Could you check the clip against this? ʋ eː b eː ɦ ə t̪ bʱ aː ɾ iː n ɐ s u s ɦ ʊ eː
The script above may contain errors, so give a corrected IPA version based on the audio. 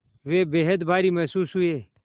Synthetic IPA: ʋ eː b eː ɦ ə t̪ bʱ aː ɾ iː m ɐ s uː s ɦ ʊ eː